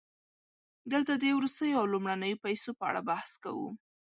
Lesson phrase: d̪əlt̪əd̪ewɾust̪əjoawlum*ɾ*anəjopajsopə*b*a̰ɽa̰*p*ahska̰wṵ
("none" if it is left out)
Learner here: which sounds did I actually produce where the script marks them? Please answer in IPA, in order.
ɽ, none, b

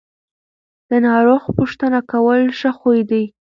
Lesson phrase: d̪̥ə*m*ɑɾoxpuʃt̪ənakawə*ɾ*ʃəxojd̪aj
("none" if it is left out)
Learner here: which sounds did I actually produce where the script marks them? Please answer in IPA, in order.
n, l

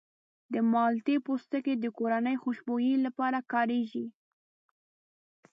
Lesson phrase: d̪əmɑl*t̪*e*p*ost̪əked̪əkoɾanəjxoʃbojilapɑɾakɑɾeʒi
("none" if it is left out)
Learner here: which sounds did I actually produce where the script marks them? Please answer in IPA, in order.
t̪, p

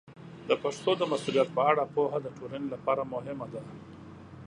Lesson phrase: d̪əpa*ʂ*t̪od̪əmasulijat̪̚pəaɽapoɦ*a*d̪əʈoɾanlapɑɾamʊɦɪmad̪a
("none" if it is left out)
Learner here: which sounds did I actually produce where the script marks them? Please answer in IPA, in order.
ʂ, a

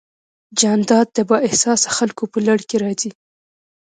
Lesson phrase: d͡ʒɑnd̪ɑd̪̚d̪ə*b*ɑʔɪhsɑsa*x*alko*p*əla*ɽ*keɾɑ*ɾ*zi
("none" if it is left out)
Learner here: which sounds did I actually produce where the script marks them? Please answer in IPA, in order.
b, x, p, ɽ, none

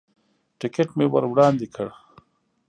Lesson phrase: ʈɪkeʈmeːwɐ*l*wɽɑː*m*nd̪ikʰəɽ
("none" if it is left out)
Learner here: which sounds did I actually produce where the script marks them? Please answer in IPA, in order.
ɾ, none

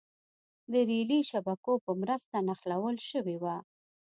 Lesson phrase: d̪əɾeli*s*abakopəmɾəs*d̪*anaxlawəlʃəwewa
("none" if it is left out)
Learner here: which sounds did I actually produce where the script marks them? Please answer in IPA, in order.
ʃ, t̪

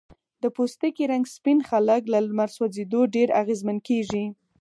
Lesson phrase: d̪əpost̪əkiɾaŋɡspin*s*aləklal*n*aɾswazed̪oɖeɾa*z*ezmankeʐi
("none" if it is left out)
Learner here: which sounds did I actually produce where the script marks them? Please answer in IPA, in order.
x, m, ɣ

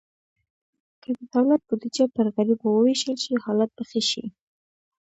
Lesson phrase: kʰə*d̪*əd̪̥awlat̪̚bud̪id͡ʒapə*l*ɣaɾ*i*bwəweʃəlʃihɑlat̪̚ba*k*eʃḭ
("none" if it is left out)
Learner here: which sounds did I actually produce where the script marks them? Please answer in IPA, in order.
d̪, ɾ, i, x

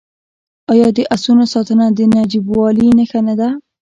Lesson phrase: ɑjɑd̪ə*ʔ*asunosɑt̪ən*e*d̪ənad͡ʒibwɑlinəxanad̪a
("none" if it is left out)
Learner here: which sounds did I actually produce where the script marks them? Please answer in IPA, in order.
ʔ, a

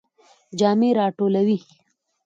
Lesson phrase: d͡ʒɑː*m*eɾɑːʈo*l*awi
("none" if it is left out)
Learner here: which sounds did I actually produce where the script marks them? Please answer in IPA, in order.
m, l

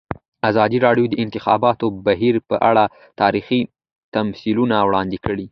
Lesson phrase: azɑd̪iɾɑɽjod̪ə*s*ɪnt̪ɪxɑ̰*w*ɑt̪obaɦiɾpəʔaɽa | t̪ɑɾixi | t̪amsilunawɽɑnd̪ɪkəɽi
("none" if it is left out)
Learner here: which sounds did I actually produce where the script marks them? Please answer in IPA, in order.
none, b

